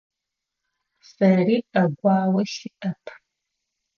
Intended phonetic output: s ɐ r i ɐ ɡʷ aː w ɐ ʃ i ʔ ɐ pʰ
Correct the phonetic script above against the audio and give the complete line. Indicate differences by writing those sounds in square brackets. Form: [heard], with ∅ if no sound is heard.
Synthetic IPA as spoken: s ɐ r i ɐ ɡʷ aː w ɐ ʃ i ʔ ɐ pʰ